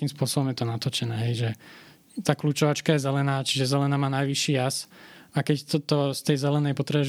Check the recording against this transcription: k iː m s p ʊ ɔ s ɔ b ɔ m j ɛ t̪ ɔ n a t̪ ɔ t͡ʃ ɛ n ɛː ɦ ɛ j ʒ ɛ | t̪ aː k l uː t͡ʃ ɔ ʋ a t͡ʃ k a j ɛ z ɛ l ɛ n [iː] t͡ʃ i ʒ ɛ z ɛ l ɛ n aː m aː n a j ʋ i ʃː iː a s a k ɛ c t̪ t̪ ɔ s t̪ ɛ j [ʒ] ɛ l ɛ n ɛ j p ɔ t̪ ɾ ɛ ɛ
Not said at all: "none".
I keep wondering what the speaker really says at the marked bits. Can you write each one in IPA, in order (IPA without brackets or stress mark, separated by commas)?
aː, z